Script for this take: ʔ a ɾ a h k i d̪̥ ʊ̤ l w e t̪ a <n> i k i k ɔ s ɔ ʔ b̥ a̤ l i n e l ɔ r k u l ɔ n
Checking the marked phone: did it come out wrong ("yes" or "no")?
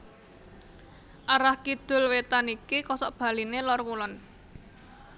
no